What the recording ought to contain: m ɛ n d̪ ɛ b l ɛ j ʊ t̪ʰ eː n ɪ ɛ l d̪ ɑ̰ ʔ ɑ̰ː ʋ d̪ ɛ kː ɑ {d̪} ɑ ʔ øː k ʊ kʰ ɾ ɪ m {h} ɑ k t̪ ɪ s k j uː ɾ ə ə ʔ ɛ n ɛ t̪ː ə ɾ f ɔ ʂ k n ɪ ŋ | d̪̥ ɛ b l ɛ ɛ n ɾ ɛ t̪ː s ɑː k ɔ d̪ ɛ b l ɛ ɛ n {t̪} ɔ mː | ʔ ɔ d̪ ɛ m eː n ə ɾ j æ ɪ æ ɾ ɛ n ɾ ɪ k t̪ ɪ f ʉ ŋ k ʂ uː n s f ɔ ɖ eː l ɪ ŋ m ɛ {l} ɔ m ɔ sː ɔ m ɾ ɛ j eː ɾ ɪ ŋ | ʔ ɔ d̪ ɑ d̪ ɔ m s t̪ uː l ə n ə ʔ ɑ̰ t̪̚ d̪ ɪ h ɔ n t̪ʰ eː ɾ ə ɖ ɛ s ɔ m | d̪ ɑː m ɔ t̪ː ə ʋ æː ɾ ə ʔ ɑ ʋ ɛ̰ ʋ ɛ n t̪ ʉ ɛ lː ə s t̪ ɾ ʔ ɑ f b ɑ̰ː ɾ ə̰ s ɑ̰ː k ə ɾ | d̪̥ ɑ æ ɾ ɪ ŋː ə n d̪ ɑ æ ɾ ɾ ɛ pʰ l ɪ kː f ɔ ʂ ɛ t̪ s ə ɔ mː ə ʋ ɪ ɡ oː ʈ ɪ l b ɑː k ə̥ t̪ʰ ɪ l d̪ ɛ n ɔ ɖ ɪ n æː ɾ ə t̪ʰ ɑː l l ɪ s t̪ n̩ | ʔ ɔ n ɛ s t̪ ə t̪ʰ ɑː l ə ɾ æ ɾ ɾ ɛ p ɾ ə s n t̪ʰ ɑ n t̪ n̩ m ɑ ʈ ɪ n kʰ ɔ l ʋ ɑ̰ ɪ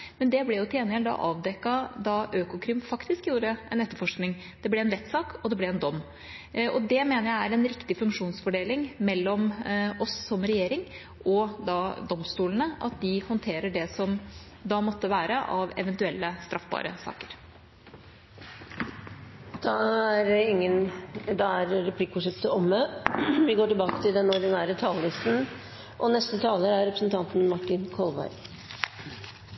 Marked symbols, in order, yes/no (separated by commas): yes, no, no, no